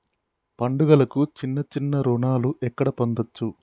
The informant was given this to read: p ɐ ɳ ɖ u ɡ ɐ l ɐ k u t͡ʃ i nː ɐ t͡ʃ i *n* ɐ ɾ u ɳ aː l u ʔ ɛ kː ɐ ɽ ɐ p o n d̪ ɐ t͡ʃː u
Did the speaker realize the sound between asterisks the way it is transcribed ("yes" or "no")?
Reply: no